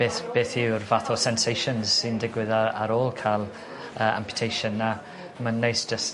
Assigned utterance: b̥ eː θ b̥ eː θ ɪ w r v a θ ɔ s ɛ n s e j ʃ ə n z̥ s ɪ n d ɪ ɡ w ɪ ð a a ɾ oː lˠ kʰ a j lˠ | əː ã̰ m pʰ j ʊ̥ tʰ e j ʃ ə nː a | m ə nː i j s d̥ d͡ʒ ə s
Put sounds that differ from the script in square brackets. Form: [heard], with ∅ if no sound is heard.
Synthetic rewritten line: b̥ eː θ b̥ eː θ ɪ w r v a θ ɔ s ɛ n s e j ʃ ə n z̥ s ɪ n d ɪ ɡ w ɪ ð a a ɾ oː lˠ kʰ a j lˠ | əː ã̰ m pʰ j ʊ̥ tʰ e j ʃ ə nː a | m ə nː [e] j s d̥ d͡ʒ ə s